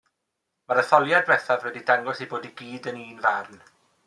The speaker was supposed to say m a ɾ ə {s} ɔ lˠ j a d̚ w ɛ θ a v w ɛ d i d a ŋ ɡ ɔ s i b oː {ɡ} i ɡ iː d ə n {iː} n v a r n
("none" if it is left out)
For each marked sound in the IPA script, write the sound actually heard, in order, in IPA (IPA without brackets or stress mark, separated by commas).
θ, d, iː